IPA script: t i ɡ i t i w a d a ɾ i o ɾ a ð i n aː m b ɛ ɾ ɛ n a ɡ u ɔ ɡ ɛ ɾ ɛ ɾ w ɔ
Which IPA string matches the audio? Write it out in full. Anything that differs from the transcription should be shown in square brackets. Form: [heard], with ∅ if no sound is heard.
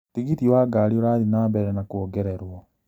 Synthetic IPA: t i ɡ i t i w a [ɡ] a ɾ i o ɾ a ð i n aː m b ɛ ɾ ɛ n a [k] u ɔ ɡ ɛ ɾ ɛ ɾ w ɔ